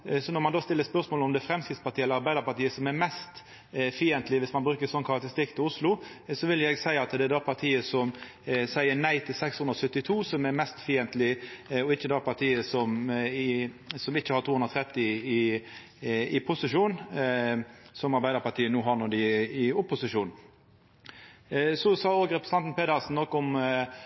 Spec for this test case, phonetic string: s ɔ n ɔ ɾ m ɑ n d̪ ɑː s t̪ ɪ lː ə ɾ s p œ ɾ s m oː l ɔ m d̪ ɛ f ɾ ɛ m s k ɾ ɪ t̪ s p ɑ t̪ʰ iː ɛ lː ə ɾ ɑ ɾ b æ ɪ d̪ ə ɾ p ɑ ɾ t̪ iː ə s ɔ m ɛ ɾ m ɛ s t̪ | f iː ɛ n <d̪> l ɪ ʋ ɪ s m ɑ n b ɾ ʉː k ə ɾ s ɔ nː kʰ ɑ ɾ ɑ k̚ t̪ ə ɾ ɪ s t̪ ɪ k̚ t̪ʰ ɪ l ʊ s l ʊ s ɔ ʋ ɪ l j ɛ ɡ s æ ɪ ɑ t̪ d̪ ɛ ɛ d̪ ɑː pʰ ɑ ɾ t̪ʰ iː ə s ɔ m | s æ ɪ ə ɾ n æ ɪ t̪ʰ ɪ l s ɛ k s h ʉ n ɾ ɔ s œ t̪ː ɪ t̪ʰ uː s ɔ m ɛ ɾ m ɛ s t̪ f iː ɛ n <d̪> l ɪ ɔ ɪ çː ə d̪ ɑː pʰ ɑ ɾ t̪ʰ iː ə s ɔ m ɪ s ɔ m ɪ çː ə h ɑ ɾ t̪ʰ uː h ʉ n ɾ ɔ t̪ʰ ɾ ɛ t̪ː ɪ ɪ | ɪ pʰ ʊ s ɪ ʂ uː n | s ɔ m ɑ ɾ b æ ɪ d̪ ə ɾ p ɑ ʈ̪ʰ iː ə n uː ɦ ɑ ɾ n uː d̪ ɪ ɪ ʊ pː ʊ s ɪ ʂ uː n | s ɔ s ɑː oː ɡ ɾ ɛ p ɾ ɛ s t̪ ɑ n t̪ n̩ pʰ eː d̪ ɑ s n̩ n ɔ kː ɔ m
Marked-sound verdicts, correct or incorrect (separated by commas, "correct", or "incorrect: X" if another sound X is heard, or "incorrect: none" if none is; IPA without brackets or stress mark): incorrect: t̪, incorrect: t̪